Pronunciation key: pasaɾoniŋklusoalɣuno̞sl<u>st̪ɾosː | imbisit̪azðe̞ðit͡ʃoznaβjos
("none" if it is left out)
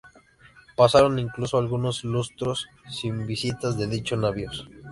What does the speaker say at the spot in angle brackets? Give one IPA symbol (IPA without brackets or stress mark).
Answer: u